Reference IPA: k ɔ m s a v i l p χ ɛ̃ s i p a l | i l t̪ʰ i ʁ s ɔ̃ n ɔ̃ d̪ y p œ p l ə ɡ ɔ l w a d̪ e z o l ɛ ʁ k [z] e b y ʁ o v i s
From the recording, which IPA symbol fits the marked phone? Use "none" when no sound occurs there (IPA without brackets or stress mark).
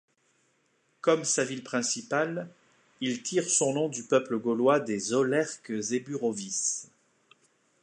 z